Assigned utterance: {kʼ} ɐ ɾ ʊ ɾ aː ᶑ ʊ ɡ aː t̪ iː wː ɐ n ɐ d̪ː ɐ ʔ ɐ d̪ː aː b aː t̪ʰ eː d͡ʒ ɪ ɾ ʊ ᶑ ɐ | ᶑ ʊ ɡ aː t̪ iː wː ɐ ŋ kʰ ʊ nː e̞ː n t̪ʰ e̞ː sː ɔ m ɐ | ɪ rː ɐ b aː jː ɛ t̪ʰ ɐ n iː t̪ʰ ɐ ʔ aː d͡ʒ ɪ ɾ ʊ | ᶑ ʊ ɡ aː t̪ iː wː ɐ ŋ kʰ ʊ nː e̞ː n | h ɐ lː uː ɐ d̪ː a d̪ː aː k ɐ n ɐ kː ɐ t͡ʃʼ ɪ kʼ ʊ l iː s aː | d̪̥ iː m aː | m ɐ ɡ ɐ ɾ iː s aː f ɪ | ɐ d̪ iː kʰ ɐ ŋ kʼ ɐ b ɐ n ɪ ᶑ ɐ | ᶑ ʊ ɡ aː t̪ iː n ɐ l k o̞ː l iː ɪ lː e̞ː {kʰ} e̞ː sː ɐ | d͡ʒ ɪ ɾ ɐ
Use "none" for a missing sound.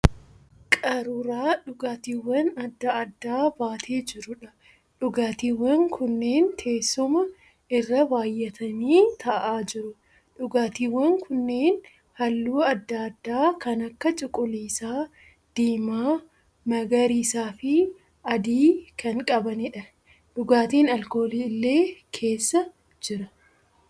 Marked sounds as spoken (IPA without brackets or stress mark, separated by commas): kʼ, kʰ